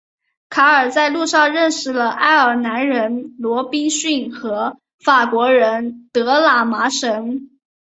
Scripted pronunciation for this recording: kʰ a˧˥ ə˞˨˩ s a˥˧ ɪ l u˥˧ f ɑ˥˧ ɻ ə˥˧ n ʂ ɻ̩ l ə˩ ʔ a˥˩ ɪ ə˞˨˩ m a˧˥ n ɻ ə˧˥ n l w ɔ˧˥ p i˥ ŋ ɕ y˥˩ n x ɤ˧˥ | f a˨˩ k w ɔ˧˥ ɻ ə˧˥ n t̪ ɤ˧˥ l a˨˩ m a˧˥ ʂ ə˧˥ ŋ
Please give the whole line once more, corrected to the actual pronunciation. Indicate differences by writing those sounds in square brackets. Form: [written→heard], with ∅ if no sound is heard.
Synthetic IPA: kʰ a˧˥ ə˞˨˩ [s→t͡s] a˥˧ ɪ l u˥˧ [f→ʂ] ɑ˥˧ ɻ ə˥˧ n ʂ ɻ̩ l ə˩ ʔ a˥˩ ɪ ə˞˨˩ [m→n] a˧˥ n ɻ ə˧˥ n l w ɔ˧˥ p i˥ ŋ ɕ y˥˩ n x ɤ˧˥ | f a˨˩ k w ɔ˧˥ ɻ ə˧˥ n t̪ ɤ˧˥ l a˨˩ m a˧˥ ʂ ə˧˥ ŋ